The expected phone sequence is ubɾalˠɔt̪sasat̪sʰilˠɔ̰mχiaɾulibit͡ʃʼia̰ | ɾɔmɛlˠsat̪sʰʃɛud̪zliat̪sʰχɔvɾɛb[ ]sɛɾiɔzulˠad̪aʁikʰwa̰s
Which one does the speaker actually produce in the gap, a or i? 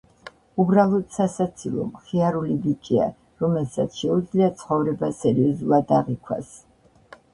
a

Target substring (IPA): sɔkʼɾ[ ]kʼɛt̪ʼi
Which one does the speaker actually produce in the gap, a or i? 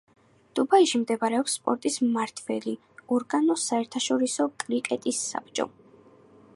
i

